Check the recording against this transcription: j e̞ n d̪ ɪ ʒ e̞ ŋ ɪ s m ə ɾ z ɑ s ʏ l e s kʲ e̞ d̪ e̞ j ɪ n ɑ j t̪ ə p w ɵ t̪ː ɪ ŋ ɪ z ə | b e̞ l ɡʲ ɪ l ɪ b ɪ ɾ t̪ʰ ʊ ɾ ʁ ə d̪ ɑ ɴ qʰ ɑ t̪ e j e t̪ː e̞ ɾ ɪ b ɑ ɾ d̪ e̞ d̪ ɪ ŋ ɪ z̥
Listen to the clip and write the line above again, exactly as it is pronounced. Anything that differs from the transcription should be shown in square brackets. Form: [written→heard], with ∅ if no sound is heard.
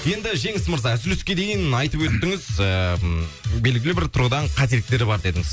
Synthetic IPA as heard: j e̞ n d̪ ɪ ʒ e̞ ŋ ɪ s m ə ɾ z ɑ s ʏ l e s kʲ e̞ d̪ e̞ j ɪ n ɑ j t̪ ə p w ɵ t̪ː ɪ ŋ ɪ z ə | b e̞ l ɡʲ ɪ l ɪ b ɪ ɾ t̪ʰ ʊ ɾ ʁ ə d̪ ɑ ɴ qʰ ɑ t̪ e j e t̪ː e̞ ɾ ɪ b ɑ ɾ d̪ e̞ d̪ ɪ ŋ ɪ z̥